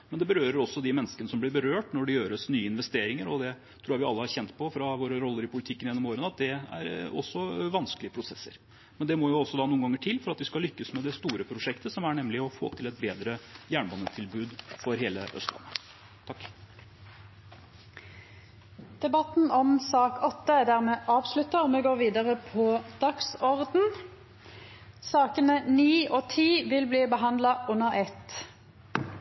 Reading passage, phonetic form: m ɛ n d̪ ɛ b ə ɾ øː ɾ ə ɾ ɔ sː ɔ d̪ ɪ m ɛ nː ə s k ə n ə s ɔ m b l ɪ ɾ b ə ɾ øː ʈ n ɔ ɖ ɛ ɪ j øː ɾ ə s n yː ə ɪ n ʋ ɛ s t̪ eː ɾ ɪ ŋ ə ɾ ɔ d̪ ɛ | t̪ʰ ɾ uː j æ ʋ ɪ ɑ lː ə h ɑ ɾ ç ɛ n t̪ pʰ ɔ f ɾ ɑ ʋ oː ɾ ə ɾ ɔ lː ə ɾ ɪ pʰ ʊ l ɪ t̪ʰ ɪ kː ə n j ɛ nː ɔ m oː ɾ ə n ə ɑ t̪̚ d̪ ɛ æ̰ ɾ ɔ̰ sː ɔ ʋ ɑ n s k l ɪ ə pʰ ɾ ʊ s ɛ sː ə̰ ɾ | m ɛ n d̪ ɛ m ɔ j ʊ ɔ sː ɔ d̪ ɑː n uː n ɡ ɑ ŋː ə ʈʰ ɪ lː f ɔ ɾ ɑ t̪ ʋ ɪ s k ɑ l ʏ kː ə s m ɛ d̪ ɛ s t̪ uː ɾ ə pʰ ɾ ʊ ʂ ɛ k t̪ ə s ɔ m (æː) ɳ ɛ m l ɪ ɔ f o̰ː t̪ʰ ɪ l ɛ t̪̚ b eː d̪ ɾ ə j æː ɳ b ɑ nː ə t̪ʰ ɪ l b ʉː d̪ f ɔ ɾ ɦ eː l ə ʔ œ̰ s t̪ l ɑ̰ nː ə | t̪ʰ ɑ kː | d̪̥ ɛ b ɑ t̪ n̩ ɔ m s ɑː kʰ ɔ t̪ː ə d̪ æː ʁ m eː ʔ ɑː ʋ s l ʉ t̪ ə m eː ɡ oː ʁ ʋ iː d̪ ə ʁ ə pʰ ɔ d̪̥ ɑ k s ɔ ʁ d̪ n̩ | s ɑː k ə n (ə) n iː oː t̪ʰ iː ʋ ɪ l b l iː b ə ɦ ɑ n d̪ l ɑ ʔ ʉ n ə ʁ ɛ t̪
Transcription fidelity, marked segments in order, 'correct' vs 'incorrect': incorrect: æ, correct

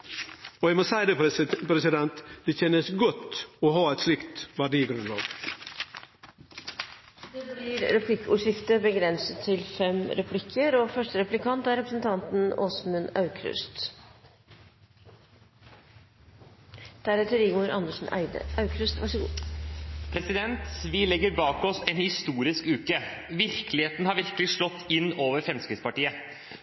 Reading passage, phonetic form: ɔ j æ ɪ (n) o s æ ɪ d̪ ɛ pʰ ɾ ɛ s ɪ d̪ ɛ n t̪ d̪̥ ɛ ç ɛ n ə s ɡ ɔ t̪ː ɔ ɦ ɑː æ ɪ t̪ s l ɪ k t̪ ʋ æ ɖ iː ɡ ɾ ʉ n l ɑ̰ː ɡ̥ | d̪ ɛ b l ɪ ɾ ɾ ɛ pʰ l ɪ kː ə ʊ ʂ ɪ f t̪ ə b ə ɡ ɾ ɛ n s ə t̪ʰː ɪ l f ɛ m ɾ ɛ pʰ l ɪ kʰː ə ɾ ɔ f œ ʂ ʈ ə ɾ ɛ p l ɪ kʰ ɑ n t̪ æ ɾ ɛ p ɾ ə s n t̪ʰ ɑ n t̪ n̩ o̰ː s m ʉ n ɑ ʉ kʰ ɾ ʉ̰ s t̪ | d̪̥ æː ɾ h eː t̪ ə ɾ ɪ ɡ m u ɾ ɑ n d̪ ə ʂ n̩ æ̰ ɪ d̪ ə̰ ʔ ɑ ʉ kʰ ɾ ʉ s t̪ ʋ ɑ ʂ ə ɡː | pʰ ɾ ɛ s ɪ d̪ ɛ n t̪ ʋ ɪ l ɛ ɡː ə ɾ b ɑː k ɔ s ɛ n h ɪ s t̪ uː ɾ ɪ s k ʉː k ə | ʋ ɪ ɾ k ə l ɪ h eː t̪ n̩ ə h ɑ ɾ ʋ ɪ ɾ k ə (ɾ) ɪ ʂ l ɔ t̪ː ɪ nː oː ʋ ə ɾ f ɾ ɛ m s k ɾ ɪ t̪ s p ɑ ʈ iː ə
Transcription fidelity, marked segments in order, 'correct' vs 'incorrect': incorrect: m, incorrect: l

